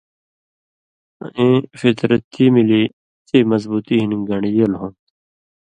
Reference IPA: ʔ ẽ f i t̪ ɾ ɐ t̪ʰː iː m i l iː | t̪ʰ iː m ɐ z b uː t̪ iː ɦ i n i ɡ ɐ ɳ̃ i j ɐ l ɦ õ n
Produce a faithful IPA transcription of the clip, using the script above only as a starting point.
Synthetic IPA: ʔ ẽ f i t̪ ɾ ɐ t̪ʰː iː m i l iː | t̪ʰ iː m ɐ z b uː t̪ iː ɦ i n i ɡ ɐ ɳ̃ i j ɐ l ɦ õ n